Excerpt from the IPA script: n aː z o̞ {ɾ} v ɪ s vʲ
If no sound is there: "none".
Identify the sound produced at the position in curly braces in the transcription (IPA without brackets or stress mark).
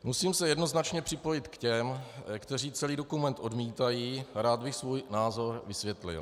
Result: ɾ